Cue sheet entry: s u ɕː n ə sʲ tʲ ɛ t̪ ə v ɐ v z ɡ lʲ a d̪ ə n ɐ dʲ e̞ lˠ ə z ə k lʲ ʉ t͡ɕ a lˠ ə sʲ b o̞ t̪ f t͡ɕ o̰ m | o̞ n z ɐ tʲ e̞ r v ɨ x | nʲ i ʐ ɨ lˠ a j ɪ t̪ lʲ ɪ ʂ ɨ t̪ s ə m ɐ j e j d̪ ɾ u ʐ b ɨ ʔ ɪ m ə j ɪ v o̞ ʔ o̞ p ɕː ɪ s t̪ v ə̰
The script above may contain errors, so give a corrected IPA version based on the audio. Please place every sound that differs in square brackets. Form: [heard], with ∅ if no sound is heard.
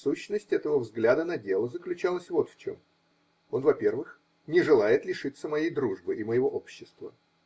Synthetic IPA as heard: s u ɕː n ə sʲ tʲ ɛ t̪ ə v [ə] v z ɡ lʲ a d̪ ə n ɐ dʲ e̞ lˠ ə z ə k lʲ ʉ t͡ɕ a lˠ ə sʲ [v] o̞ t̪ f t͡ɕ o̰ m | o̞ n [v] ɐ [pʲ] e̞ r v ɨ x | nʲ [ɪ] ʐ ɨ lˠ a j ɪ t̪ lʲ ɪ ʂ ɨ t̪ s ə m ɐ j e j d̪ ɾ u ʐ b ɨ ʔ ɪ m ə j ɪ v o̞ ʔ o̞ p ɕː ɪ s t̪ v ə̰